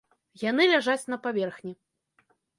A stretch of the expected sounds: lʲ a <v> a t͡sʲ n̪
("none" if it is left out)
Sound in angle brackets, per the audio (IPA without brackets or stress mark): ʐ